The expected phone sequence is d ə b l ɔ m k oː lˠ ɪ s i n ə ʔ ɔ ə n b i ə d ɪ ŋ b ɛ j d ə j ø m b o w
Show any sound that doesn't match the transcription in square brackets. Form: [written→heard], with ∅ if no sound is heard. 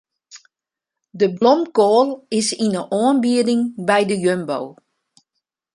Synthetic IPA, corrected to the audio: d ə b l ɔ m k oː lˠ ɪ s i n ə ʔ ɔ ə n b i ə d ɪ ŋ b ɛ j d ə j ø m b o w